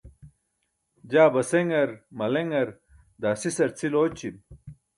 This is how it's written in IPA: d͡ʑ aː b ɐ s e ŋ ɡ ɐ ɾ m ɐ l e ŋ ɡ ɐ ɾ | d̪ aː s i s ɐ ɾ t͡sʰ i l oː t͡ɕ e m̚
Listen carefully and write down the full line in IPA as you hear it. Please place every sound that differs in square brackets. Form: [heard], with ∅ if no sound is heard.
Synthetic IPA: d͡ʑ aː b ɐ s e ŋ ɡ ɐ ɾ m ɐ l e ŋ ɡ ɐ ɾ | d̪ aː s i s ɐ ɾ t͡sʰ i l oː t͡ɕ [i] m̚